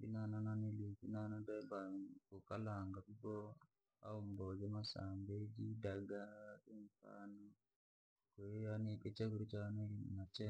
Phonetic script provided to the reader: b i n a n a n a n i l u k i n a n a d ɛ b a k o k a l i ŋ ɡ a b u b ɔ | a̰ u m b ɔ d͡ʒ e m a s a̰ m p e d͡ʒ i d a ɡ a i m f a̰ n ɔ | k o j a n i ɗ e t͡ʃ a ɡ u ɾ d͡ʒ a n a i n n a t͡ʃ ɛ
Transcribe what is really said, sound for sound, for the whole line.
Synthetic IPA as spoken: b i n a n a n a n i l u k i n a n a d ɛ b a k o k a l a ŋ ɡ a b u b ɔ | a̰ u m b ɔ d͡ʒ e m a s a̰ m b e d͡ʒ i d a ɡ a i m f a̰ n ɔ | k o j a n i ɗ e t͡ʃ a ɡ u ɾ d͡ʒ a n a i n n a t͡ʃ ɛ